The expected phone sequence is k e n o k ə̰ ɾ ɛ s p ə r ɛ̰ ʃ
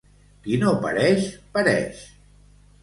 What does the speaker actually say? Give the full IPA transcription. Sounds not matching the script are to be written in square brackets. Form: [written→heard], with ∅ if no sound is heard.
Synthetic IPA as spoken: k [e→i] n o [k→p] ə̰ ɾ ɛ [s→ʃ] p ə [r→ɾ] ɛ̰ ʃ